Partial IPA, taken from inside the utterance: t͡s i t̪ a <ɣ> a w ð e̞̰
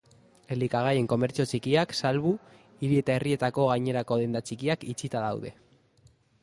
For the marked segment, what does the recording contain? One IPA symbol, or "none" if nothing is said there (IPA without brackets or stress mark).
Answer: ð